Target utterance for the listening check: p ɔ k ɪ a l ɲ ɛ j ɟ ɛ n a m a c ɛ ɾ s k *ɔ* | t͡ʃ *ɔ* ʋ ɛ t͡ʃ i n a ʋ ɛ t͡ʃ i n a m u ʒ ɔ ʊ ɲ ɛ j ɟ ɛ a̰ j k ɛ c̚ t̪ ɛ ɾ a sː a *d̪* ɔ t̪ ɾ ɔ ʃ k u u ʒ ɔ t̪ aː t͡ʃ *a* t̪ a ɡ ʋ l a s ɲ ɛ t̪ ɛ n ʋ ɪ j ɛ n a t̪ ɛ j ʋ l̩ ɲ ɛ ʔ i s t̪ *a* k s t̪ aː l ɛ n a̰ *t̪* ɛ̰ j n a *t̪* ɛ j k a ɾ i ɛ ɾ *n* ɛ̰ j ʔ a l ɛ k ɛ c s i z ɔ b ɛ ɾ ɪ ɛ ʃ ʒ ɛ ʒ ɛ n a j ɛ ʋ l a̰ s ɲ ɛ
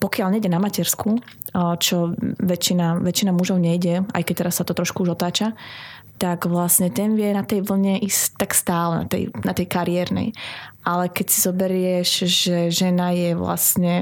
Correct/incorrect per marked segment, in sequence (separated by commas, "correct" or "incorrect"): incorrect, correct, incorrect, correct, correct, correct, correct, correct